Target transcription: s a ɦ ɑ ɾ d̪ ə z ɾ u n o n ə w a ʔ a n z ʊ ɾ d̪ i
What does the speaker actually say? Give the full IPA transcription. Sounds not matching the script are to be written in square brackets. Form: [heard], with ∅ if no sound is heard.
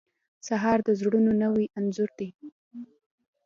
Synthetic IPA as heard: s a ɦ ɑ ɾ d̪ ə z [ɽ] u n o n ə w [i] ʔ a n z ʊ ɾ d̪ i